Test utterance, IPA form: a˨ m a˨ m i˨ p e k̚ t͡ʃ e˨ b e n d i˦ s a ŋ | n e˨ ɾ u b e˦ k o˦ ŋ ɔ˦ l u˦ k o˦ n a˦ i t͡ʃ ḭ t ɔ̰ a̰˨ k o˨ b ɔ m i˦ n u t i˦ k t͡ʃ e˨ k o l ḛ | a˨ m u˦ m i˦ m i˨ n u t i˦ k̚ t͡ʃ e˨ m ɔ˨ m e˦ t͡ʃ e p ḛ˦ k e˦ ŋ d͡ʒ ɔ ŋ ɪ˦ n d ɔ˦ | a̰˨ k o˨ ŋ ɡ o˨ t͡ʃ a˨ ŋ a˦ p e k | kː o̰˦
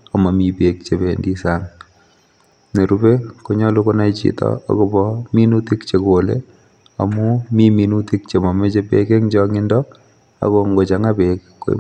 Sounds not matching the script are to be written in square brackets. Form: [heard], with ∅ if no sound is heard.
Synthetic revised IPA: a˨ m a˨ m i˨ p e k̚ t͡ʃ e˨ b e n d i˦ s a ŋ | n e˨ ɾ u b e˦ k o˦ [ɲ] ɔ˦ l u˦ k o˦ n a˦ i t͡ʃ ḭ t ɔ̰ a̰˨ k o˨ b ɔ m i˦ n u t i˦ k t͡ʃ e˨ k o l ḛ | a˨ m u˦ m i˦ m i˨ n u t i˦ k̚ t͡ʃ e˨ m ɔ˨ m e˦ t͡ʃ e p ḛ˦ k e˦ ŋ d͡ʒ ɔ ŋ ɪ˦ n d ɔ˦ | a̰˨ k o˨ ŋ ɡ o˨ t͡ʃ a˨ ŋ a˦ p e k | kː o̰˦